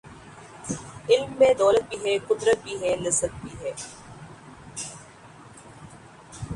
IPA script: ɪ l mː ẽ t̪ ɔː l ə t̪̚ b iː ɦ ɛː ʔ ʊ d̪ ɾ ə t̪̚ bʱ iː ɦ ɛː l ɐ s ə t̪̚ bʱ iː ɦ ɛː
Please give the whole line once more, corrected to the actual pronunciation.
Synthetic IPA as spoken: ɪ l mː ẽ d̪ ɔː l ə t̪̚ b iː ɦ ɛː k ʊ d̪ ɾ ə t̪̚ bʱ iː ɦ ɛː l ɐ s ə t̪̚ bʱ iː ɦ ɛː